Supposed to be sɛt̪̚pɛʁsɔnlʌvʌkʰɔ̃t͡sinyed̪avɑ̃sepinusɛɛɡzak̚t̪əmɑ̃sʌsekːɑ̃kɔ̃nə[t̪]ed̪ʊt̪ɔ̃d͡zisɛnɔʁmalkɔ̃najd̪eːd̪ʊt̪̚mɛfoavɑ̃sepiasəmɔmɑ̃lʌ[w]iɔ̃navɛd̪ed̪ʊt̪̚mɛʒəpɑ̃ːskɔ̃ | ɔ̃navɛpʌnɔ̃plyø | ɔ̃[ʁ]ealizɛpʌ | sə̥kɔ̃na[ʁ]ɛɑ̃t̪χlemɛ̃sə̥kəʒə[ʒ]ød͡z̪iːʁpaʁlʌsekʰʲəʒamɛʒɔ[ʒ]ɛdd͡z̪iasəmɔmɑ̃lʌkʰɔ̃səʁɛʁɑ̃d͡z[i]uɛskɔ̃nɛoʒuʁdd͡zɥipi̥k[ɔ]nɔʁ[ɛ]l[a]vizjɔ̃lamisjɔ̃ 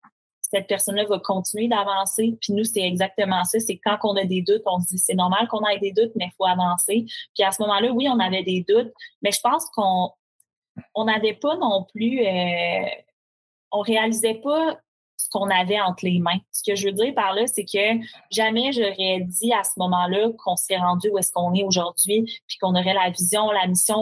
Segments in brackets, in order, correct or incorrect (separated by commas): incorrect, correct, correct, incorrect, incorrect, incorrect, incorrect, incorrect, correct, correct